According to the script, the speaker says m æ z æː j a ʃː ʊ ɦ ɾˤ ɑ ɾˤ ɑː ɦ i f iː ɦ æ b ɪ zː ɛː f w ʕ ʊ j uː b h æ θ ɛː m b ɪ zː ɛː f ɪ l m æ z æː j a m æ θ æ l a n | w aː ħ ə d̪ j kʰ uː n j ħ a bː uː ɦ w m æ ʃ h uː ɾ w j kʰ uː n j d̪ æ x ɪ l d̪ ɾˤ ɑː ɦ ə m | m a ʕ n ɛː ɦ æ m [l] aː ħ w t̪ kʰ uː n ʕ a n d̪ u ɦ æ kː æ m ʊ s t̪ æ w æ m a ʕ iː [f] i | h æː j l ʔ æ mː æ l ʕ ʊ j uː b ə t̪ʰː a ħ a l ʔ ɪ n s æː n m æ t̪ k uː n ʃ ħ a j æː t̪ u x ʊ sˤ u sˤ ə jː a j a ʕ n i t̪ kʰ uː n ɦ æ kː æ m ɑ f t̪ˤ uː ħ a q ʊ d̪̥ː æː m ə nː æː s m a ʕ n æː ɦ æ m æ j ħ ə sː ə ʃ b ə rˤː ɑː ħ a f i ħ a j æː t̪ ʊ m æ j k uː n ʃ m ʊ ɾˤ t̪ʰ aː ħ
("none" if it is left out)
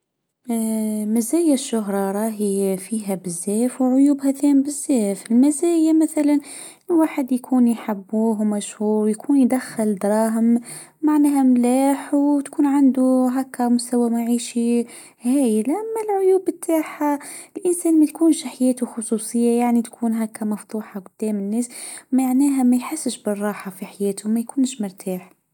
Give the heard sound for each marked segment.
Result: l, ʃ

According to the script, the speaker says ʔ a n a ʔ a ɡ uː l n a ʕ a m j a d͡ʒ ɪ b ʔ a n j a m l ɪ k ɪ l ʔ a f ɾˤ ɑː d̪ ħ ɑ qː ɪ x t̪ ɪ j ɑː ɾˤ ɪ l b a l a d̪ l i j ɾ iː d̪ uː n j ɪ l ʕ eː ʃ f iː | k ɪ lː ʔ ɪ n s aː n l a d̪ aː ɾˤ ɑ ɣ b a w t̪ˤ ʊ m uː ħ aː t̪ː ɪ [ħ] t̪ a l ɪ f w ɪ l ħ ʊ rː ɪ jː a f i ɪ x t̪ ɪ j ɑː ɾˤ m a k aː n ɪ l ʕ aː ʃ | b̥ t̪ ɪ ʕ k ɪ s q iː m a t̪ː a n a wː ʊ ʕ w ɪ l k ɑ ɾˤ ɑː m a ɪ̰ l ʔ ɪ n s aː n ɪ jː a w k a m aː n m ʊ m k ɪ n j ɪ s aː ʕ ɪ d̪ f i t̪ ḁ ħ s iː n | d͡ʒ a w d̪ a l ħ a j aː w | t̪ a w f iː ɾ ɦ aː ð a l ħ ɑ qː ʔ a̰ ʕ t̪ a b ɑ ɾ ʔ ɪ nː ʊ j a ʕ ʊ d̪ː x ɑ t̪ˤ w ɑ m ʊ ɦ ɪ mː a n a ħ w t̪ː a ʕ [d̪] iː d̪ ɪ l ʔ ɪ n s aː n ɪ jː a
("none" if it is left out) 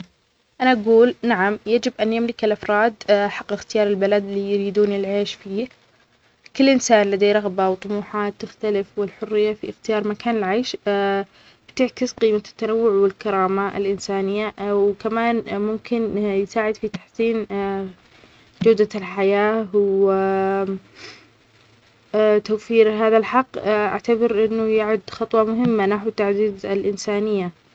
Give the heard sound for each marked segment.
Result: x, d̪

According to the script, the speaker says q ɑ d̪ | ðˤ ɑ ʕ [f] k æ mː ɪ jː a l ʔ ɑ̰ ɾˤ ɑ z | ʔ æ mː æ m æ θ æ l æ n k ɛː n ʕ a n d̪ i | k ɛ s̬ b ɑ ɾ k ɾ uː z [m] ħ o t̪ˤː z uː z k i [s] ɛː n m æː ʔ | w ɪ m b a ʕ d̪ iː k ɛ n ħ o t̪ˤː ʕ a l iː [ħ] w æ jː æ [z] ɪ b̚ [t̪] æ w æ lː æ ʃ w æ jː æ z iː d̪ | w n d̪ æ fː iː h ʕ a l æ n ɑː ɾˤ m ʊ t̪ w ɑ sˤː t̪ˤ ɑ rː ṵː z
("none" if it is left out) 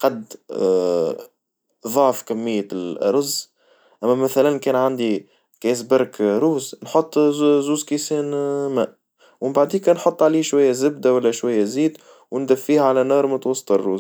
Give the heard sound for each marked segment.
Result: f, n, s, ʃ, z, d̪

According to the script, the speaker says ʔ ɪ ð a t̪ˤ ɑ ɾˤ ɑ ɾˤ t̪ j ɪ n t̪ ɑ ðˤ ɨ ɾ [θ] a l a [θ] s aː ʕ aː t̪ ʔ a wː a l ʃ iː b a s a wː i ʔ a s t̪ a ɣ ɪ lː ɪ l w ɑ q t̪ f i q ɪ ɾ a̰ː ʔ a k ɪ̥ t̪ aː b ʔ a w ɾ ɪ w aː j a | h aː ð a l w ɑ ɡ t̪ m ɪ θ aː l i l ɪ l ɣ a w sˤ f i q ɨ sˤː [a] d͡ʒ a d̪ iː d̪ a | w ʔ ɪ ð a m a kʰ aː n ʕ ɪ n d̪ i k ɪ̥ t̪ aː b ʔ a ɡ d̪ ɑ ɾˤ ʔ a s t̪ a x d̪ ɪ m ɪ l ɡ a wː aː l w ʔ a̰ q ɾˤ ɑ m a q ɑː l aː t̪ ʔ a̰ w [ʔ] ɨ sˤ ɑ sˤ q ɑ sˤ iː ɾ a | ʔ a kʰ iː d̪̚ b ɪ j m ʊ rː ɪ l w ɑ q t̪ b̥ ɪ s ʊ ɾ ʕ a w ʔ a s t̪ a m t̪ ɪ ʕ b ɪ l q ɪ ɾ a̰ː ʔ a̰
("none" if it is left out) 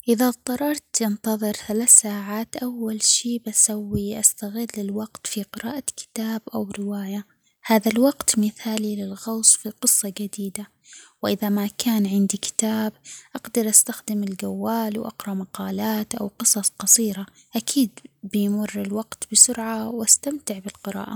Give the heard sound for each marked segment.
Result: θ, θ, ɑ, q

